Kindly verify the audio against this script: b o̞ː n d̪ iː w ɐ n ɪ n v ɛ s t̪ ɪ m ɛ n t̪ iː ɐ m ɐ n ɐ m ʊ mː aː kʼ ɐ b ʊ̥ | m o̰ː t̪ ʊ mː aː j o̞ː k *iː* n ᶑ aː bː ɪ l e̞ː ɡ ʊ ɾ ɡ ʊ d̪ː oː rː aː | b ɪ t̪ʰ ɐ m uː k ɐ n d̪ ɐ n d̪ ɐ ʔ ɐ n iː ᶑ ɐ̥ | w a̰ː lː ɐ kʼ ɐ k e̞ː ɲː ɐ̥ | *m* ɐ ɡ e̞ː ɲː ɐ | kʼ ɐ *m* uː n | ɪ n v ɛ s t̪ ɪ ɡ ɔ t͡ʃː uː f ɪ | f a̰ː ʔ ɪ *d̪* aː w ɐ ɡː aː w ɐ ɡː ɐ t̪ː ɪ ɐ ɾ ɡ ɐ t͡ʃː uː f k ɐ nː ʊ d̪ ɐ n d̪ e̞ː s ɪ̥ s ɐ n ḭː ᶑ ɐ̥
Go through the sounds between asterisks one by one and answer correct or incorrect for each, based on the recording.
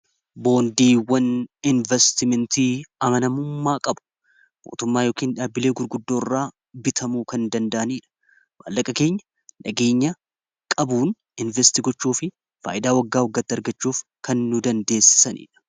correct, incorrect, incorrect, correct

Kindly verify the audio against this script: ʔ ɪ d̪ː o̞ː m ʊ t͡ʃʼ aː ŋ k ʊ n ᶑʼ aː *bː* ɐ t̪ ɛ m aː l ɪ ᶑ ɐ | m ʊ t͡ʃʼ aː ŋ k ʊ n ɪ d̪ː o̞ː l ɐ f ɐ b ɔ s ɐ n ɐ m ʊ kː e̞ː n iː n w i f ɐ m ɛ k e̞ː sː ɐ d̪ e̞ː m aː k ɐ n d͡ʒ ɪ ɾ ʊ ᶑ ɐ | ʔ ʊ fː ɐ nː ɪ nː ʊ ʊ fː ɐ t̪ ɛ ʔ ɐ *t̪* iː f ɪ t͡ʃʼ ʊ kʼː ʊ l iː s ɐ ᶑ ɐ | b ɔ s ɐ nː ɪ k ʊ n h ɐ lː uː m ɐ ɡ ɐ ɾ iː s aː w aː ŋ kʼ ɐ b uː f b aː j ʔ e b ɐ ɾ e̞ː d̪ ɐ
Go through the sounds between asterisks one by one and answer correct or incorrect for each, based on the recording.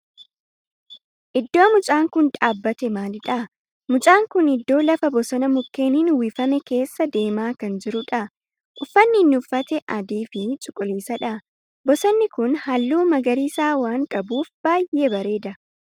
correct, incorrect

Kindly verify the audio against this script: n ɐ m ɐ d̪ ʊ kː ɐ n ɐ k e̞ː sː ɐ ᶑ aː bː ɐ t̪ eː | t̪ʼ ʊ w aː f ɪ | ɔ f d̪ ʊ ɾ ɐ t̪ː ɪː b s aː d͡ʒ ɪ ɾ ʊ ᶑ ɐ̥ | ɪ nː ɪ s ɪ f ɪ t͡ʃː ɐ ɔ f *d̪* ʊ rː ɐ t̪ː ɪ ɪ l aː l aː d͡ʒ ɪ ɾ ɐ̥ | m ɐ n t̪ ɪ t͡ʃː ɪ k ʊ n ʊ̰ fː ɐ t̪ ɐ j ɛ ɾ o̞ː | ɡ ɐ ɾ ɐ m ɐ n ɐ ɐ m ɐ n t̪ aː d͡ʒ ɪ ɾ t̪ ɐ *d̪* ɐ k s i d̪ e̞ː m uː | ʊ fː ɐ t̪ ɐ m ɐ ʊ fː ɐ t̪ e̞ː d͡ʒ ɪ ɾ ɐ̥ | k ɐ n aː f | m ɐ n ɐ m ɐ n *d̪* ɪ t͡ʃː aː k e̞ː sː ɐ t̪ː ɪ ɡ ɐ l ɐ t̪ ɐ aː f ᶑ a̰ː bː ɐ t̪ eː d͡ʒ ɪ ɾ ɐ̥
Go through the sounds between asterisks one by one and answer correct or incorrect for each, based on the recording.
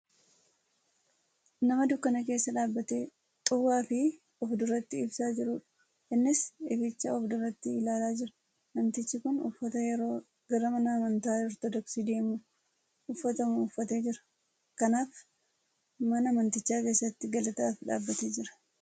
correct, correct, incorrect

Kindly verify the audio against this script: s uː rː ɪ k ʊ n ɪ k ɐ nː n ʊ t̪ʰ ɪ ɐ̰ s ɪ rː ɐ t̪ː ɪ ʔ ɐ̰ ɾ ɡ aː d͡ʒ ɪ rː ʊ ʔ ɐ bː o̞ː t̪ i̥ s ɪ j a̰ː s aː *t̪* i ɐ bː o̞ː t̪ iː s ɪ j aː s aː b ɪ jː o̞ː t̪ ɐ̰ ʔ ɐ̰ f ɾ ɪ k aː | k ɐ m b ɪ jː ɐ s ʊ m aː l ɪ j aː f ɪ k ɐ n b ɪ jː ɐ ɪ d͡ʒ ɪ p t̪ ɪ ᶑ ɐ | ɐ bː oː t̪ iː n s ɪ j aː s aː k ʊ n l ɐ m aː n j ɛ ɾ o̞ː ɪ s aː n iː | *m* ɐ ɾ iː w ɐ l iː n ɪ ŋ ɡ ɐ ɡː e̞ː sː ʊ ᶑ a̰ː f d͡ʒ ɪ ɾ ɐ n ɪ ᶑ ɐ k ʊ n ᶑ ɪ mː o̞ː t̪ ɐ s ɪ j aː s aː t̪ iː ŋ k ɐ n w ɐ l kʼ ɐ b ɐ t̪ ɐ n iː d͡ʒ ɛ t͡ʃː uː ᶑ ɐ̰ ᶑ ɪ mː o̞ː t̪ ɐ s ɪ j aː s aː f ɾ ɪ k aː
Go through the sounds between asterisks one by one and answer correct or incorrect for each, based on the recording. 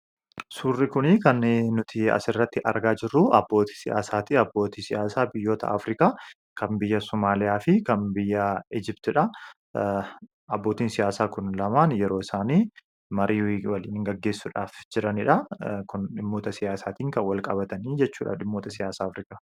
correct, correct

